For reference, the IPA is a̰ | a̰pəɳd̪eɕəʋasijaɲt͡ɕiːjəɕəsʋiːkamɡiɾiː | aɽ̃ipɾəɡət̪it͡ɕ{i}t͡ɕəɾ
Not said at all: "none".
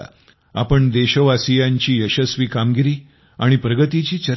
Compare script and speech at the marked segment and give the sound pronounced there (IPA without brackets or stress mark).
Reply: iː